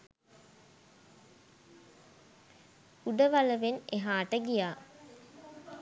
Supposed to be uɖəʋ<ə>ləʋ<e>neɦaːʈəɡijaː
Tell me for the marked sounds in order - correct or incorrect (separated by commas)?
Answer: incorrect, correct